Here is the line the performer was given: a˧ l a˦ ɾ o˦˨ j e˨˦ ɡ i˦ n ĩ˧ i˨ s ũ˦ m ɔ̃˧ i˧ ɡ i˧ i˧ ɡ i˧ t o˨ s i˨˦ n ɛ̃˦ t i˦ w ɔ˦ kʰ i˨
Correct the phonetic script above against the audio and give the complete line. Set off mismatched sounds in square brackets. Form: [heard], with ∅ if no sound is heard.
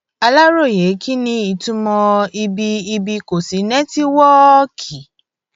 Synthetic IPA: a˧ l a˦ ɾ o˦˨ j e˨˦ [k] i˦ n ĩ˧ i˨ [t] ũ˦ m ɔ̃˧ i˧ [b] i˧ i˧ [b] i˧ [k] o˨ s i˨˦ n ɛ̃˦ t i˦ w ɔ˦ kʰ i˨